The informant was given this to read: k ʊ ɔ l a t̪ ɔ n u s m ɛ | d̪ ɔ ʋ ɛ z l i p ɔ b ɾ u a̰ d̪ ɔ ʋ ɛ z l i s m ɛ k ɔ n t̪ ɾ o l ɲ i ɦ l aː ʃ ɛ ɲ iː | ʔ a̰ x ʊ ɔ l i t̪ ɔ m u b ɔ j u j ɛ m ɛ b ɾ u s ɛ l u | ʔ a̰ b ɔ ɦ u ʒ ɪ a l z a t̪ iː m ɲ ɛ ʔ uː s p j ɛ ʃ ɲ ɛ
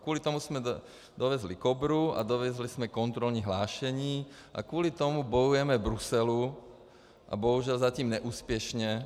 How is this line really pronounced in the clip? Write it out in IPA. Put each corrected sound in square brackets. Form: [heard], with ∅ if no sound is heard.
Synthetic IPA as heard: k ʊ ɔ l [i] t̪ ɔ [m] u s m ɛ | d̪ ɔ ʋ ɛ z l i [k] ɔ b ɾ u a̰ d̪ ɔ ʋ ɛ z l i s m ɛ k ɔ n t̪ ɾ [ɔ] l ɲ i ɦ l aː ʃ ɛ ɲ iː | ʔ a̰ [k] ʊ ɔ l i t̪ ɔ m u b ɔ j u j ɛ m ɛ b ɾ u s ɛ l u | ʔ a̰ b ɔ ɦ u ʒ ɪ a l z a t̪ iː m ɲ ɛ ʔ uː s p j ɛ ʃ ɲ ɛ